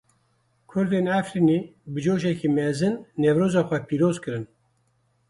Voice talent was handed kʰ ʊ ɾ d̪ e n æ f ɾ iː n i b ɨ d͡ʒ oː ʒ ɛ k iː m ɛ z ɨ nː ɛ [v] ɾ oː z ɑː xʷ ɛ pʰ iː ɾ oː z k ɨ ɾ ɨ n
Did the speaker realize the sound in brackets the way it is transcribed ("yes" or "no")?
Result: yes